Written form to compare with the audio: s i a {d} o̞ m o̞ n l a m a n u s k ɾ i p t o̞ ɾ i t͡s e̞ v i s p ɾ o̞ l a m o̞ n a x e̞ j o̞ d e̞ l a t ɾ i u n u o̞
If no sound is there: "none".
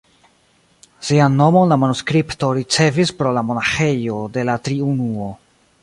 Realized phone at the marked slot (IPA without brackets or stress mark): n